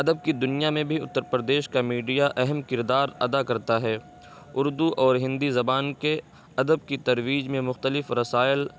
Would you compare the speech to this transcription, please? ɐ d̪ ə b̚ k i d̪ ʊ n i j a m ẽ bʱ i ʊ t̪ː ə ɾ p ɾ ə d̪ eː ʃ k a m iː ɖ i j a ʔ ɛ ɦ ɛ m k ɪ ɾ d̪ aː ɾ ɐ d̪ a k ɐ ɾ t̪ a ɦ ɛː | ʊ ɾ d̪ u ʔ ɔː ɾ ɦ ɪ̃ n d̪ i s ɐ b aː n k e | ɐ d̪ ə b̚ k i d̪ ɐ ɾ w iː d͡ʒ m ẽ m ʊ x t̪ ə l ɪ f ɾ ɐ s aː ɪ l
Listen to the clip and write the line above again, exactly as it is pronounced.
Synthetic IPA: ɐ d̪ ə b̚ k i d̪ ʊ n i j a m ẽ bʱ i ʊ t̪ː ə ɾ p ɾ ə d̪ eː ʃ k a m iː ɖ i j a ʔ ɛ ɦ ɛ m k ɪ ɾ d̪ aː ɾ ɐ d̪ a k ɐ ɾ t̪ a ɦ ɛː | ʊ ɾ d̪ u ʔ ɔː ɾ ɦ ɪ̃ n d̪ i z ɐ b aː n k e | ɐ d̪ ə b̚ k i t̪ ɐ ɾ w iː d͡ʒ m ẽ m ʊ x t̪ ə l ɪ f ɾ ɐ s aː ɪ l